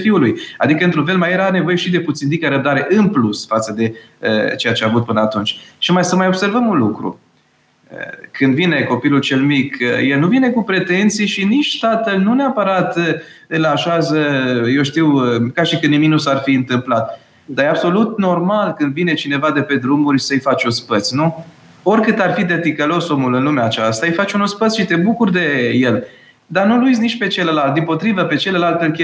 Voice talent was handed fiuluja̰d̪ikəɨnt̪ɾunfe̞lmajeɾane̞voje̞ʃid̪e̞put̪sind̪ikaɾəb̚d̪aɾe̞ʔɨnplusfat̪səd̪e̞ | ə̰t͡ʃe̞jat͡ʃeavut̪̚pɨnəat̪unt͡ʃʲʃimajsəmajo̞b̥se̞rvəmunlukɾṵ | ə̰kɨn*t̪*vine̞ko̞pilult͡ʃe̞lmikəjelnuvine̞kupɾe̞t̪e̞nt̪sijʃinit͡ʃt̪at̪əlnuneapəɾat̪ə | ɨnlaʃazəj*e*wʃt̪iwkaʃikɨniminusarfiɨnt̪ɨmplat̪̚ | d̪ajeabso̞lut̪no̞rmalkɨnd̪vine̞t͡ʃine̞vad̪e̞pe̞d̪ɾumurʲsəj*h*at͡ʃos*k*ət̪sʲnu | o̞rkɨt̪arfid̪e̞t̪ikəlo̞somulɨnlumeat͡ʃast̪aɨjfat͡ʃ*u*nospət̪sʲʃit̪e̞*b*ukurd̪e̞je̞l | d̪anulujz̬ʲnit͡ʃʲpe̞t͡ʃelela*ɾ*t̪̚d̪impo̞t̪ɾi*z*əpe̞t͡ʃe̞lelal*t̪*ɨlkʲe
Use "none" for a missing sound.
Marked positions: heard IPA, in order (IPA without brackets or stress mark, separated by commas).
d̪, e, f, p, u, b, l, v, t̪